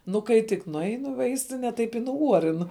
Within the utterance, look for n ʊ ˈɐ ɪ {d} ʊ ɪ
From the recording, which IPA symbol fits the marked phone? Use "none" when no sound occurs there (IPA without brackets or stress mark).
n